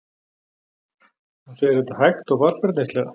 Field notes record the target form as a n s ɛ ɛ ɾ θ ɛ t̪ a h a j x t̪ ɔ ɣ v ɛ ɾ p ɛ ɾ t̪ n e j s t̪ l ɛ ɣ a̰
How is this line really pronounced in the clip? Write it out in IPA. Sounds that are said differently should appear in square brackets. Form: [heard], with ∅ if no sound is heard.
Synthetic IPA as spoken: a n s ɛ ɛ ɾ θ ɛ t̪ a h a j x t̪ ɔ ɣ v [a] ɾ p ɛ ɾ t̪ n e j s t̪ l ɛ ɣ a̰